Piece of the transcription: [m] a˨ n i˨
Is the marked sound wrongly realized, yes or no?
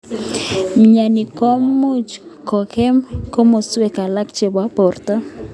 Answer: yes